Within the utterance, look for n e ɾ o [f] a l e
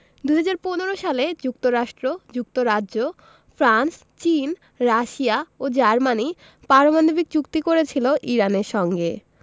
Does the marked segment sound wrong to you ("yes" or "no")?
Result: yes